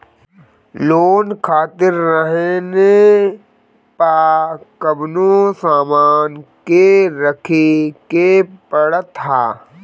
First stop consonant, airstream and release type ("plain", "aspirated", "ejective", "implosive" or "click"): aspirated